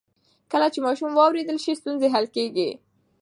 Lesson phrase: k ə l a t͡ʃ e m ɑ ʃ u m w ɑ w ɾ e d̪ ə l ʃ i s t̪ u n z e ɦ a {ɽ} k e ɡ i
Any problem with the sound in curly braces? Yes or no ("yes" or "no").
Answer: yes